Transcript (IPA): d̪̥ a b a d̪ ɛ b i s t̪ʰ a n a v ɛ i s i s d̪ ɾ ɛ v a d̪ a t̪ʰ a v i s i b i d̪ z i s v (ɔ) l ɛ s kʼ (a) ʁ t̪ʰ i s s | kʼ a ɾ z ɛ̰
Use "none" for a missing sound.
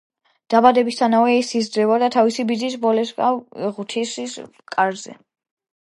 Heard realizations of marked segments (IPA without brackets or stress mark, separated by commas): ɔ, a